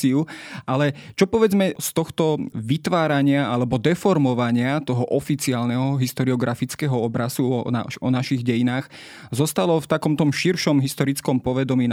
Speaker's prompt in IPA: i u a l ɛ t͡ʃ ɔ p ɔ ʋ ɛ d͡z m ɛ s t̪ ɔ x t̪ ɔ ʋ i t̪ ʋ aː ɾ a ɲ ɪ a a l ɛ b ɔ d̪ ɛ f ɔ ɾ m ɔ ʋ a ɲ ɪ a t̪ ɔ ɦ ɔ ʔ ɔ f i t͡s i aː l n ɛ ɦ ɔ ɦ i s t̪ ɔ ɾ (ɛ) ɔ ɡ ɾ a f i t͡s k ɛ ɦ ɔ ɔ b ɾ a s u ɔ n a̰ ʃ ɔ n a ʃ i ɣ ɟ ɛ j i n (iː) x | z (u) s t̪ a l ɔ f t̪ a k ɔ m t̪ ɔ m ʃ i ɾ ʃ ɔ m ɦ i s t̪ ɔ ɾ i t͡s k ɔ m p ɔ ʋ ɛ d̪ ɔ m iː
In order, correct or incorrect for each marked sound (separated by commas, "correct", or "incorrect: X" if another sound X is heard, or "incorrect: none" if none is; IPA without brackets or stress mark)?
incorrect: i, incorrect: aː, incorrect: ɔ